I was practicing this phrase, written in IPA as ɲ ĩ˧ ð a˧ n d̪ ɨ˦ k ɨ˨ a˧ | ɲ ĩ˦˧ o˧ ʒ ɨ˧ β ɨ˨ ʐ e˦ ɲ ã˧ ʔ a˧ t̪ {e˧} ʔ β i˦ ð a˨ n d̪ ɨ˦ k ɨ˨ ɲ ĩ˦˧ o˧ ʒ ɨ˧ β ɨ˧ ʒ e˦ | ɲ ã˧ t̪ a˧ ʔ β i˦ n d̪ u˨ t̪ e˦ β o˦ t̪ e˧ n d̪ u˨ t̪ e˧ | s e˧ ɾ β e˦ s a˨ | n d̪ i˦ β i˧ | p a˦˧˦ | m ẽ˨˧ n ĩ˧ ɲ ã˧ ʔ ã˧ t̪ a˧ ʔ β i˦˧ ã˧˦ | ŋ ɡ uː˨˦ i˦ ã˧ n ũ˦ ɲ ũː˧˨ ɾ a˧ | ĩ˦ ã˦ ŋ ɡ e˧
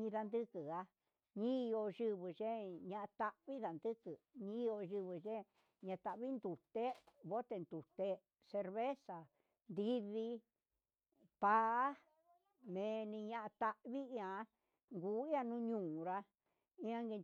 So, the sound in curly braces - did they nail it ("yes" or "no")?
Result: no